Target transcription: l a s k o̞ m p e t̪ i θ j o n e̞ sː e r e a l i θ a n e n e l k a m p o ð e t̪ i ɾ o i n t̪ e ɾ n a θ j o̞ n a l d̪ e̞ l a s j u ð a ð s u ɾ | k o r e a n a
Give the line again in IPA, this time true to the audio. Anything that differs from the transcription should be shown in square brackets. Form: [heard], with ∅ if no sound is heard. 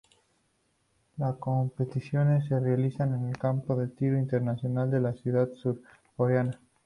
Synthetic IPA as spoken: l a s k o̞ m p e t̪ i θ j o n e̞ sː e r e a l i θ a n e n e l k a m p o ð e t̪ i ɾ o i n t̪ e ɾ n a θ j o̞ n a l d̪ e̞ l a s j u ð a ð s u ɾ | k o [ɾ] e a n a